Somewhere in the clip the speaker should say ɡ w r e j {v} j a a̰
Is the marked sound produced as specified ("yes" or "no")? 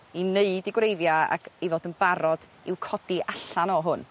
yes